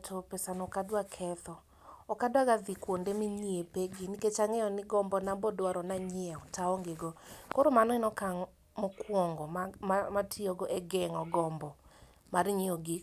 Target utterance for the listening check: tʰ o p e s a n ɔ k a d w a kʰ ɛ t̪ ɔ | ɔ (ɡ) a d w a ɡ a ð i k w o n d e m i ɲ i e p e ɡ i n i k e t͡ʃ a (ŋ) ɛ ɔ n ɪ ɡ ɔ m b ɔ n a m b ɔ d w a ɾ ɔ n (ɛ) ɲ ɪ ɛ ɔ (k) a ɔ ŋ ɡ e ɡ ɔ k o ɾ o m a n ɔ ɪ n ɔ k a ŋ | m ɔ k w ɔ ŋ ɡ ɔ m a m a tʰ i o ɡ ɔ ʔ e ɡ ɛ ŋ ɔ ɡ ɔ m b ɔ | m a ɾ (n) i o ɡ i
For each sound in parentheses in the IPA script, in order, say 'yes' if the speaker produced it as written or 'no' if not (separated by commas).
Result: no, yes, no, no, no